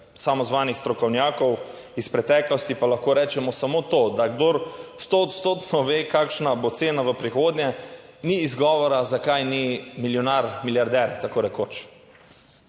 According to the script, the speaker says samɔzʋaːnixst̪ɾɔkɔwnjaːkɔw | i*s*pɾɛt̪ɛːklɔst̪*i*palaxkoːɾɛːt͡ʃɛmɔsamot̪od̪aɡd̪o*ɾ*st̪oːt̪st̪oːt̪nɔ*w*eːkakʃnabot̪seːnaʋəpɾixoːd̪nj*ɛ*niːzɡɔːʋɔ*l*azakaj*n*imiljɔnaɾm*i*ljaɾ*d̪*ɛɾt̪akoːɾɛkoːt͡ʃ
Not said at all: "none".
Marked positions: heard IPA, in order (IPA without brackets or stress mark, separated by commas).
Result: s, i, ɾ, ʋ, ɛ, ɾ, n, i, d̪